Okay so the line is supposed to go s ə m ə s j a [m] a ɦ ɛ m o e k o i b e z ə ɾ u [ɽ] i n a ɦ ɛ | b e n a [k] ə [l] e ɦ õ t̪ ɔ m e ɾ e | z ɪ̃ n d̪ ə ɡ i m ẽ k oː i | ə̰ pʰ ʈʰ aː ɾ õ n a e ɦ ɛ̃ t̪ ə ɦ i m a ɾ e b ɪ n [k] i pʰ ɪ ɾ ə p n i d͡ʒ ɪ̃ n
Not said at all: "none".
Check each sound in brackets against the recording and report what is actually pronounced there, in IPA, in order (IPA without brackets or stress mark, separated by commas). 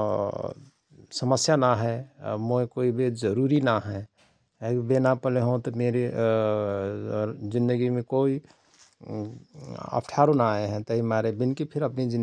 n, ɾ, p, l, k